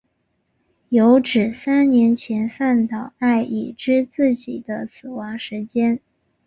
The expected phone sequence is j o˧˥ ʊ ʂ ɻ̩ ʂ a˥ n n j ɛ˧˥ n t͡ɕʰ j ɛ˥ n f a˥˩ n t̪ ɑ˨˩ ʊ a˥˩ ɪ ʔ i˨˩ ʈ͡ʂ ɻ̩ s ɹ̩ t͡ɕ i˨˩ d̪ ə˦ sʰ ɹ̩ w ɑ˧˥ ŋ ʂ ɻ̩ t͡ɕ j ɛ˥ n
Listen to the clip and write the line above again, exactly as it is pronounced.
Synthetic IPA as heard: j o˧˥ ʊ ʈ͡ʂ ɻ̩ s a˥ n n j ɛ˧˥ n t͡ɕʰ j ɛ˧˥ n f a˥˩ n t̪ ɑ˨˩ ʊ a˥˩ ɪ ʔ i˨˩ ʈ͡ʂ ɻ̩ t͡s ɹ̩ t͡ɕ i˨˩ d̪ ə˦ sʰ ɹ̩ w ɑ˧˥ ŋ ʂ ɻ̩ t͡ɕ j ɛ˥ n